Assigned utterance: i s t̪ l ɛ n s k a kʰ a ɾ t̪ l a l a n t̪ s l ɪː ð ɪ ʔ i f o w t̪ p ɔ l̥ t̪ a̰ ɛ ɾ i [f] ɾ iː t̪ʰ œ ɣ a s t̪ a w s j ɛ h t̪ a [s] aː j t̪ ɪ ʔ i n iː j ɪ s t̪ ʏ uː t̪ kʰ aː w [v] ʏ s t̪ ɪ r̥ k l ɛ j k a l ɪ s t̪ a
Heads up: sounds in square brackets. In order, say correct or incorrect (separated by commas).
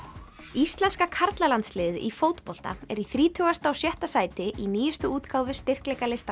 incorrect, correct, correct